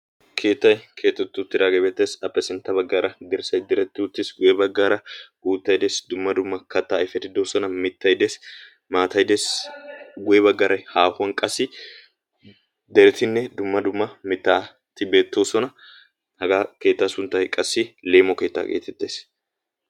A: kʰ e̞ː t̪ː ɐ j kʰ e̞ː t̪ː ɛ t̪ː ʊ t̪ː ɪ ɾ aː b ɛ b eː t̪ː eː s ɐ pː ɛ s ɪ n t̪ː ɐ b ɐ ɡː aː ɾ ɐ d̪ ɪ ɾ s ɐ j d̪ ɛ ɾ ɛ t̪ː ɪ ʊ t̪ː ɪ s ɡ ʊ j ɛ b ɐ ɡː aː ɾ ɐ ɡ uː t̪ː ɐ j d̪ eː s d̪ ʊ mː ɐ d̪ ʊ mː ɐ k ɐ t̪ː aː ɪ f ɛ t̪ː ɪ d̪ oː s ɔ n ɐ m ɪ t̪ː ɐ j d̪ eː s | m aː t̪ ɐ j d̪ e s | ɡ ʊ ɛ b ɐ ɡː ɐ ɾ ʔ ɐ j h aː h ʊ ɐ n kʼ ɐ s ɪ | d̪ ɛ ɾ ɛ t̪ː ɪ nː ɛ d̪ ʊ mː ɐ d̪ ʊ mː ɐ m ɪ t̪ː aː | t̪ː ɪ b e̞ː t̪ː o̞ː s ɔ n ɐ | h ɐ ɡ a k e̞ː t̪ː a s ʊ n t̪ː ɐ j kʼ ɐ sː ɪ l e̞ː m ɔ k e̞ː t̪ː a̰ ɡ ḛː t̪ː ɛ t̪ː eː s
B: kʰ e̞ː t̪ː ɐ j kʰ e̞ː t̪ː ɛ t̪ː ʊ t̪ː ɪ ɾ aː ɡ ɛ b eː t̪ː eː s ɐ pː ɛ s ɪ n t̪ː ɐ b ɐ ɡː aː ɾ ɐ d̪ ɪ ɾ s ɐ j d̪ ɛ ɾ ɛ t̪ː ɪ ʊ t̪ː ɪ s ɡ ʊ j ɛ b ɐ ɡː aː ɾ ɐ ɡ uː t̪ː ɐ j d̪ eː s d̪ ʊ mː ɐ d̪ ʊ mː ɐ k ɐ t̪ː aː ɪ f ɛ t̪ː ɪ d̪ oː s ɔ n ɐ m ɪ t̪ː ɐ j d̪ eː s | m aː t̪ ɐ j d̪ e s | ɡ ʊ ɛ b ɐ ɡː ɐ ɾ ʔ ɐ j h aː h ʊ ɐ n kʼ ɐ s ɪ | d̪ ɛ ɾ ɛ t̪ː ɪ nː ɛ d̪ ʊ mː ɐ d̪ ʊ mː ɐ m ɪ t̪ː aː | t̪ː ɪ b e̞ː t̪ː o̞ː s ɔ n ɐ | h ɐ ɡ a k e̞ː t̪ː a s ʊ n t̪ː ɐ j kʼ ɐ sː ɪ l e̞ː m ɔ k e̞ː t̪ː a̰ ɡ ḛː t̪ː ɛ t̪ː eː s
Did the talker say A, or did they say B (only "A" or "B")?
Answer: B